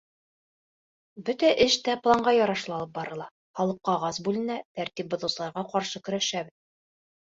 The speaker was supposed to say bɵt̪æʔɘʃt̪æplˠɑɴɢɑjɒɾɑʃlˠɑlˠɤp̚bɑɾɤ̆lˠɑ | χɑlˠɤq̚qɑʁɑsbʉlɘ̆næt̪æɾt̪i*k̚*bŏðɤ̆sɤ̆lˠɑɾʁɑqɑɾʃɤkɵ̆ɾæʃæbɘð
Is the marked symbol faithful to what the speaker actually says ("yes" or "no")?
no